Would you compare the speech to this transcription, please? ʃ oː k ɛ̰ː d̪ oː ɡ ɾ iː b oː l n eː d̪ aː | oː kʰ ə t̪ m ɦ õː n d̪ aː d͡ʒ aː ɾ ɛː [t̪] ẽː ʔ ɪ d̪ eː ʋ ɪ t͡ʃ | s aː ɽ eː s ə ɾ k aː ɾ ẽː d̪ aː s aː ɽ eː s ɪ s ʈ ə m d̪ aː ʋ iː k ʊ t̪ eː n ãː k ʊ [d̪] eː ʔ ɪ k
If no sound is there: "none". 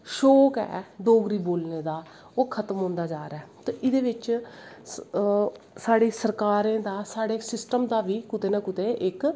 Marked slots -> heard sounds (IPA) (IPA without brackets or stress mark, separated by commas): t̪, t̪